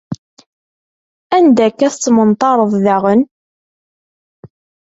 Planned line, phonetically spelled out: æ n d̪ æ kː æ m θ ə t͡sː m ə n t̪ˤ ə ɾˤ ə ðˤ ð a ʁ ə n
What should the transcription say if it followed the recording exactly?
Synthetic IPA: æ n d̪ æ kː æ θ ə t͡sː m ə n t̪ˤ ɑ ɾˤ ə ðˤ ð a ʁ ə n